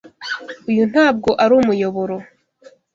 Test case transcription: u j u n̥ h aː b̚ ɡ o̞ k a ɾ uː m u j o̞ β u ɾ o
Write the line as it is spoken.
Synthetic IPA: u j u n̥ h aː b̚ ɡ o̞ ʔ a ɾ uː m u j o̞ β o ɾ o